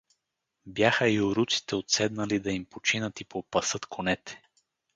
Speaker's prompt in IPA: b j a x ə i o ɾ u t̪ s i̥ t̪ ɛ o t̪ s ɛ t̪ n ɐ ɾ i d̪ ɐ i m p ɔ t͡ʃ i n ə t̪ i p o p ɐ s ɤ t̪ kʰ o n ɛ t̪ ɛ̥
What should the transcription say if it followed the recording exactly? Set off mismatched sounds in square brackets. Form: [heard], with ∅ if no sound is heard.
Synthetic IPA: b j a x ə i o ɾ u t̪ s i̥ t̪ ɛ o t̪ s ɛ [d̪] n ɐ [l] i d̪ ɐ i m p [o] t͡ʃ i n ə t̪ i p o p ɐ s ɤ t̪ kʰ o n ɛ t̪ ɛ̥